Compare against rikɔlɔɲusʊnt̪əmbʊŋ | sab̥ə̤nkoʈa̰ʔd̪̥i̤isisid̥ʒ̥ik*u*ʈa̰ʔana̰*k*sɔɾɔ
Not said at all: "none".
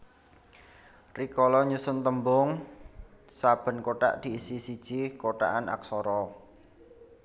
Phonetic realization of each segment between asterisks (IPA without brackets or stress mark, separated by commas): o, k